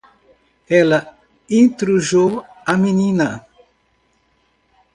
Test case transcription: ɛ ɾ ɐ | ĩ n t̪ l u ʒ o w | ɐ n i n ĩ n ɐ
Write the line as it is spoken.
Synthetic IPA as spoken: ɛ l ɐ | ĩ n t̪ ɾ u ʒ o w | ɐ m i n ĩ n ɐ